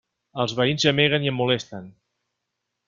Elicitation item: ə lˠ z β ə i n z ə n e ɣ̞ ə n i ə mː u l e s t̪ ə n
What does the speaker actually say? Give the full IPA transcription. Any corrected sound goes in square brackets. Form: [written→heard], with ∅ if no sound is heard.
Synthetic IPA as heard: ə lˠ z β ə i n z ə [n→m] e ɣ̞ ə n i ə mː u l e s t̪ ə n